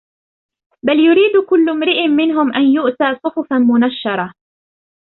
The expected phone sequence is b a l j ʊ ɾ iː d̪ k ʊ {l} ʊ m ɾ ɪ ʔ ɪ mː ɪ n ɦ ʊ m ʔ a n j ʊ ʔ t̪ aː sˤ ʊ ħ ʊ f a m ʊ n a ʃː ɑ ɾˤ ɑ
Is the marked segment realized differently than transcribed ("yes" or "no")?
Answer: yes